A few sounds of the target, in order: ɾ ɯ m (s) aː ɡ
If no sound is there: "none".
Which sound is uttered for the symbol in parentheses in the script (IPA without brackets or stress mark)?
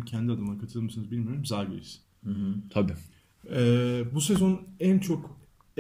z